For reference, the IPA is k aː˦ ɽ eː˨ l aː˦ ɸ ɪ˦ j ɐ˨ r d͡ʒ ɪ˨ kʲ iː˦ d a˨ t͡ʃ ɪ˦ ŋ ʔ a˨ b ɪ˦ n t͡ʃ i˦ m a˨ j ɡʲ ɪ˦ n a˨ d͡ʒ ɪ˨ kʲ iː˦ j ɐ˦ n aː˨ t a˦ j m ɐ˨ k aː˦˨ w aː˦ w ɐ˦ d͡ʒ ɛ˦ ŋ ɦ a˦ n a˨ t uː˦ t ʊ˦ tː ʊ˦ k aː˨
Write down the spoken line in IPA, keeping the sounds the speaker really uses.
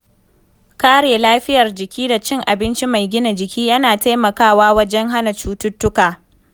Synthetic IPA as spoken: k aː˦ ɽ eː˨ l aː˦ ɸ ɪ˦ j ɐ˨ r d͡ʒ ɪ˨ kʲ iː˦ d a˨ t͡ʃ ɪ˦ ŋ ʔ a˨ b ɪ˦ n t͡ʃ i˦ m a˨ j ɡʲ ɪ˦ n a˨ d͡ʒ ɪ˨ kʲ iː˦ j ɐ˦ n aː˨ t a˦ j m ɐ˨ k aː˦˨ w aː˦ w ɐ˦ d͡ʒ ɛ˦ ŋ ɦ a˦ n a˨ t͡ʃ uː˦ t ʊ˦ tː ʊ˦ k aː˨